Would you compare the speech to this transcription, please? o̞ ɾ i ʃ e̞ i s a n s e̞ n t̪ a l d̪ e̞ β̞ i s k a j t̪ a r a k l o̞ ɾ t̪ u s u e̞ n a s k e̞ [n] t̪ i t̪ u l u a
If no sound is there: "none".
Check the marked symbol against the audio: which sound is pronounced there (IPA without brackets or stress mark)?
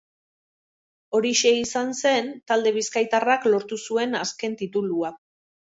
n